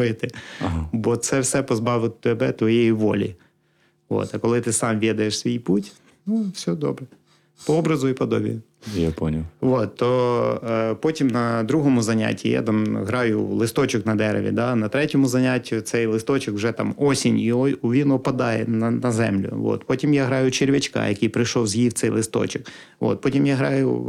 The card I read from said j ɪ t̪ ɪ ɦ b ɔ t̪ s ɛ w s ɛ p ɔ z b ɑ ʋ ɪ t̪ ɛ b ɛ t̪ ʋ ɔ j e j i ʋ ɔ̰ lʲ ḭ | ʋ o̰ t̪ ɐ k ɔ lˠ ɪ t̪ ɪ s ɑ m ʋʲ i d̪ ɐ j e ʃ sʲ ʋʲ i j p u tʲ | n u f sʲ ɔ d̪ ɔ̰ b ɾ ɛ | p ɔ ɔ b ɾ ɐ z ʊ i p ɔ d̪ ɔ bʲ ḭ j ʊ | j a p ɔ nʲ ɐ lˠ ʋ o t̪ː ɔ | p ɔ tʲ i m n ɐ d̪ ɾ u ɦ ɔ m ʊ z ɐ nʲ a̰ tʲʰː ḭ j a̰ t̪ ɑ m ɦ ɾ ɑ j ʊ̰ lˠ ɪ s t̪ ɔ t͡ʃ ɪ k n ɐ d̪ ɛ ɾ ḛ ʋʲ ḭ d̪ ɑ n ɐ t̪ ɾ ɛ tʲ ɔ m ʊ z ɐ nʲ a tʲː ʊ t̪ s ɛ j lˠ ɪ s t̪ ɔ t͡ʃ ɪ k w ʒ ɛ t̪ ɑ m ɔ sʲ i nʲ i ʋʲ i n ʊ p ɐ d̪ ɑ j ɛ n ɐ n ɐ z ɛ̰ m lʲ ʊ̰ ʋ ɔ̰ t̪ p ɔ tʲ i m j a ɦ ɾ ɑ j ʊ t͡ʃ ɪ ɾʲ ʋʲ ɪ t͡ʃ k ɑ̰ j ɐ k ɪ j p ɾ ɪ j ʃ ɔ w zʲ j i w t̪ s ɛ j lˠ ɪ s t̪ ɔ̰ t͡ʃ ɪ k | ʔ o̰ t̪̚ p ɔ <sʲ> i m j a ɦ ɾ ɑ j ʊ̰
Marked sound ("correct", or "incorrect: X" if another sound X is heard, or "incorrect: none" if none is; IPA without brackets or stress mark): incorrect: tʲ